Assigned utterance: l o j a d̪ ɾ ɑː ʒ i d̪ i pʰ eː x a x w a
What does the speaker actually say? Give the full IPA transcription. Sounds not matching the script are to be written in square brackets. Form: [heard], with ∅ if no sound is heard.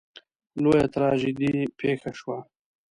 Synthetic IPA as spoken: l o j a [t̪] ɾ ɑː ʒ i d̪ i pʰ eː x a [ʃ] w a